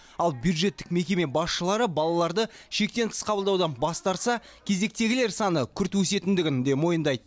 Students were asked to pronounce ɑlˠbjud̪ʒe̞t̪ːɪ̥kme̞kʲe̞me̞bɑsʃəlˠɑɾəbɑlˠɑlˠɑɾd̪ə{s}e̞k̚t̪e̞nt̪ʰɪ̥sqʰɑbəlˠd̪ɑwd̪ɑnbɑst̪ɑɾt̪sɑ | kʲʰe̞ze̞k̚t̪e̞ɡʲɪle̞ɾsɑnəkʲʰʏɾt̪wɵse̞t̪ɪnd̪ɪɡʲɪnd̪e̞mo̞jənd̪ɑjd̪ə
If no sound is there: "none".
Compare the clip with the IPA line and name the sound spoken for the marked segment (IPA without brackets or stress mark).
ʃ